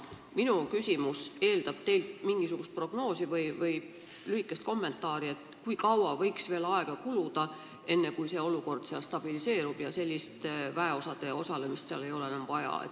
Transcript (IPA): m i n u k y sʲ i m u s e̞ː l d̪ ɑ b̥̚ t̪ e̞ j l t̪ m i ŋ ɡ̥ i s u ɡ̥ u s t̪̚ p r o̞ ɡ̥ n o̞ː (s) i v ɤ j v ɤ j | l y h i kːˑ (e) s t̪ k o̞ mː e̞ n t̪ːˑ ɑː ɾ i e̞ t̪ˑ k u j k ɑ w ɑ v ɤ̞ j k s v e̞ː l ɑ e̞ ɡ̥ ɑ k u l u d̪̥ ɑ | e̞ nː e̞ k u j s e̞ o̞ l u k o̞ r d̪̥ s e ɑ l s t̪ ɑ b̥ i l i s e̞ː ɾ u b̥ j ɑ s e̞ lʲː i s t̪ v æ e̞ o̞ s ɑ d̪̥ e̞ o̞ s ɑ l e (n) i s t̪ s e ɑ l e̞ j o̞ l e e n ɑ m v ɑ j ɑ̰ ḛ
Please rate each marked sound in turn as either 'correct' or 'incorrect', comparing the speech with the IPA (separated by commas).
correct, correct, incorrect